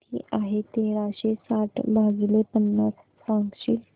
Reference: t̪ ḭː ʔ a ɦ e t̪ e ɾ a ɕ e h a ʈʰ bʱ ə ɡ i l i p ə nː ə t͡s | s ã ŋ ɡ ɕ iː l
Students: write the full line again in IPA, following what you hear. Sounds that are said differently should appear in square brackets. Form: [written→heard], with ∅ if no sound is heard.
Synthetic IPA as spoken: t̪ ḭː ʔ a ɦ e t̪ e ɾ a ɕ e [h→s] a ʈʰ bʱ [ə→a] ɡ i l [i→e] p ə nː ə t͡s | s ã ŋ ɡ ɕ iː l

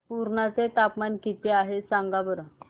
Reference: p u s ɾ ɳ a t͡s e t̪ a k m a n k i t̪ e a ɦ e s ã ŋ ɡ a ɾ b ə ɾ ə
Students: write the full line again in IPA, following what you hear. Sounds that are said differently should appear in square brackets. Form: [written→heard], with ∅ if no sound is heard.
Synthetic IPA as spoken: p u [s→∅] ɾ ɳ a t͡s e t̪ a [k→p] m a n k i t̪ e a ɦ e s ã ŋ ɡ a [ɾ→∅] b ə ɾ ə

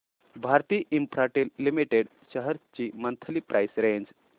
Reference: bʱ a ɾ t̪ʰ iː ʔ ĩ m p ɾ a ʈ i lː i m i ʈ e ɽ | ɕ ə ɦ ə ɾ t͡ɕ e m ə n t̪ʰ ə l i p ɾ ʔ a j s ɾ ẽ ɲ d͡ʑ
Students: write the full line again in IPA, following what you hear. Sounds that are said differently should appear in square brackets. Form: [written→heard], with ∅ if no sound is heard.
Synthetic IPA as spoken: bʱ a ɾ [t̪ʰ→t̪] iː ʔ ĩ m p ɾ a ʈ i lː i m i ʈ e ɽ | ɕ ə ɦ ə ɾ t͡ɕ [e→i] m ə n t̪ʰ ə l i p ɾ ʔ a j s ɾ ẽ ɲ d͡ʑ

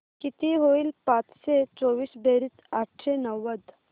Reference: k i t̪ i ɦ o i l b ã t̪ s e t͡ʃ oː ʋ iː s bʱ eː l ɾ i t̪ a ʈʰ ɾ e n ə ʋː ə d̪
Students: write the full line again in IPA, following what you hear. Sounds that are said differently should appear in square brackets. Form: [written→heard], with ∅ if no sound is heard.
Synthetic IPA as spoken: k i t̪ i ɦ o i l [b→p] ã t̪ s e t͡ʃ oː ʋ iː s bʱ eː [l→∅] ɾ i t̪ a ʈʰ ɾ e n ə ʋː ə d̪

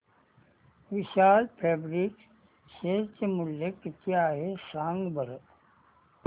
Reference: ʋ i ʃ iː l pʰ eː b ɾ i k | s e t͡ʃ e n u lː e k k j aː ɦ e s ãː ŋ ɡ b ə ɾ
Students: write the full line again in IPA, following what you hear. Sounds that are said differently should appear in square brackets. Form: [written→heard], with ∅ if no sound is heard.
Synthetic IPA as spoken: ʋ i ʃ [iː→aː] l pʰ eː b ɾ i k | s e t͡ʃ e [n→m] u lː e k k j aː ɦ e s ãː ŋ ɡ b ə ɾ

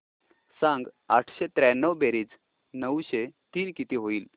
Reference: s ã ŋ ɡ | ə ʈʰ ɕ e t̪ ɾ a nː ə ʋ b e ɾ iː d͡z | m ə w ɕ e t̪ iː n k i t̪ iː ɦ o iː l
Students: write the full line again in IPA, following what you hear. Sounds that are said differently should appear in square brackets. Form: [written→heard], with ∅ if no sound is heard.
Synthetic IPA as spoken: s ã ŋ ɡ | [ə→a] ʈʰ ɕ e t̪ ɾ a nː ə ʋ b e ɾ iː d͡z | [m→n] ə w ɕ e t̪ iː n k i t̪ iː ɦ o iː l

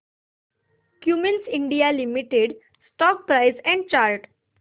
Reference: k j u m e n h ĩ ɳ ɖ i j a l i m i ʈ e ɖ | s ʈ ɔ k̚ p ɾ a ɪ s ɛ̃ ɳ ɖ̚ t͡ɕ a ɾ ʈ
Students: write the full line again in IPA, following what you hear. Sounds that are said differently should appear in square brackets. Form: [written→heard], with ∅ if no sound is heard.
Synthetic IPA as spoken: k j u m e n [h→s] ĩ ɳ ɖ i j a l i m i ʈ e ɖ | s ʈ ɔ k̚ p ɾ a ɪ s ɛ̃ ɳ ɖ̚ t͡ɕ a ɾ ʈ

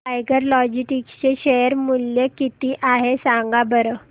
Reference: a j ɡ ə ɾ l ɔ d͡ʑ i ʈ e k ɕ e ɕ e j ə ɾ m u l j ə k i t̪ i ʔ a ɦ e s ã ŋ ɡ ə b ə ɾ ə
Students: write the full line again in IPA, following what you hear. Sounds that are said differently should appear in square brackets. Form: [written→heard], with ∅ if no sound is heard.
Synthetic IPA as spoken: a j ɡ ə ɾ l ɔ d͡ʑ i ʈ [e→i] k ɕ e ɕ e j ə ɾ m u l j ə k i t̪ i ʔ a ɦ e s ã ŋ ɡ [ə→a] b ə ɾ ə

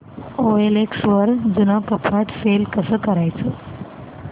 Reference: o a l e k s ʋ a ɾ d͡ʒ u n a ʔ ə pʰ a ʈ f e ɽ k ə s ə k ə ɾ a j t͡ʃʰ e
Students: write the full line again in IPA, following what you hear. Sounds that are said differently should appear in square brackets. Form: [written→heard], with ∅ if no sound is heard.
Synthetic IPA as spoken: o [a→e] l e k s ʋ [a→ə] ɾ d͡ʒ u n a [ʔ→k] ə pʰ a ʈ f e [ɽ→l] k ə s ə k ə ɾ a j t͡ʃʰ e

